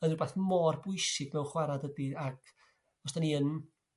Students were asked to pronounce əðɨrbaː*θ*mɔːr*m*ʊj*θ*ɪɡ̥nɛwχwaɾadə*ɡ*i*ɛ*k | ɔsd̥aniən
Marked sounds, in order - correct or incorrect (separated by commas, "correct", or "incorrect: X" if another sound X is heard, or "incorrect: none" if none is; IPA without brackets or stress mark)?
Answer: correct, incorrect: b, incorrect: s, incorrect: d, incorrect: a